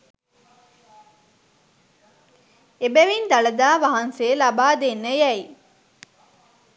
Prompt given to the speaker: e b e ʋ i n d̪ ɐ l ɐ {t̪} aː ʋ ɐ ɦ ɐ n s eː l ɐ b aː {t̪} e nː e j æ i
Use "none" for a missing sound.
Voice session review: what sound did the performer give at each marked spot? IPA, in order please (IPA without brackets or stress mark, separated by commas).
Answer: d̪, d̪